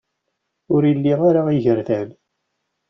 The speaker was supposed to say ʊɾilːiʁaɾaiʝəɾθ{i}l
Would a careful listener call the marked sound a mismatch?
yes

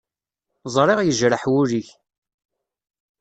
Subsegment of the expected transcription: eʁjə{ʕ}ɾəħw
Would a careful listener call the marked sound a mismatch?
yes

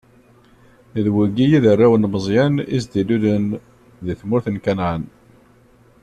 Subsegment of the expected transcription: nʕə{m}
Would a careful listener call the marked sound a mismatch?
yes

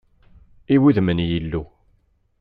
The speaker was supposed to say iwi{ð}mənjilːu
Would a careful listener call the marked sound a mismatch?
no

